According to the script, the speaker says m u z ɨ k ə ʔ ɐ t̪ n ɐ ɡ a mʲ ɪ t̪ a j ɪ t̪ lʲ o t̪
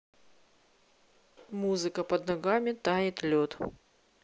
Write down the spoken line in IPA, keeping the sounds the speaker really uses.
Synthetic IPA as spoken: m u z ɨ k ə p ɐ d̪ n ɐ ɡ a mʲ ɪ t̪ a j ɪ t̪ lʲ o t̪